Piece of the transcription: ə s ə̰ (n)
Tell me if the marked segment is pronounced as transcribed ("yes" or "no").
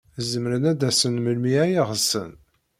yes